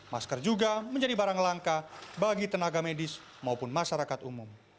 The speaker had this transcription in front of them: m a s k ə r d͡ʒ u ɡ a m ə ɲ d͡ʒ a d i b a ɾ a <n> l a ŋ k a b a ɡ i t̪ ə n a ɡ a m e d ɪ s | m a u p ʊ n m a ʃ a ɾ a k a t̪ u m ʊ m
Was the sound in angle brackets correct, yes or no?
no